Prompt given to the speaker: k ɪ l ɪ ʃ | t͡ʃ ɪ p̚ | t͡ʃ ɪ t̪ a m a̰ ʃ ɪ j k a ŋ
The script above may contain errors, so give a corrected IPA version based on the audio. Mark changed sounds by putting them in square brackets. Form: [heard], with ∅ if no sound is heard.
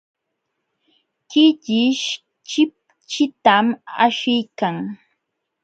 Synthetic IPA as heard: k ɪ [ʎ] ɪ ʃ | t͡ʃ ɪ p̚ | t͡ʃ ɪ t̪ a m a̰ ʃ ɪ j k a ŋ